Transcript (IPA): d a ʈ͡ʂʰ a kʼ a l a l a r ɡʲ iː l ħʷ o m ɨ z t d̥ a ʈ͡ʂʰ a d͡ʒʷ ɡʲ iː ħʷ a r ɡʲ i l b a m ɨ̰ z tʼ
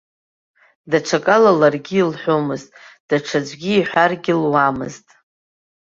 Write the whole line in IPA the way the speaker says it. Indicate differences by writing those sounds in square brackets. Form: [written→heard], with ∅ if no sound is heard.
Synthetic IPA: d a ʈ͡ʂʰ a kʼ a l a l a r ɡʲ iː l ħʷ o m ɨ z [t→tʼ] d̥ a ʈ͡ʂʰ a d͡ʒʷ ɡʲ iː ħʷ a r ɡʲ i l [b→w] a m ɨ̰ z tʼ